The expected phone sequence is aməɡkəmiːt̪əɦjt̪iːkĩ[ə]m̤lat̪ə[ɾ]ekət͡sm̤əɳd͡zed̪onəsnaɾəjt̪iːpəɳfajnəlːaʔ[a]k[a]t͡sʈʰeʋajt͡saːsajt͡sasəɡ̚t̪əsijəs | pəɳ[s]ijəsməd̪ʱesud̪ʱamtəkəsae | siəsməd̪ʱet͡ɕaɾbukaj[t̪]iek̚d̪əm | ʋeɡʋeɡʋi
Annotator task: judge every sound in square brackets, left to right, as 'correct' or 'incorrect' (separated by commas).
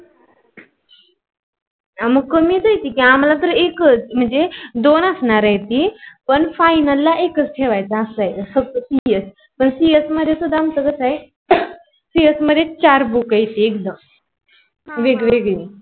incorrect, correct, incorrect, incorrect, correct, correct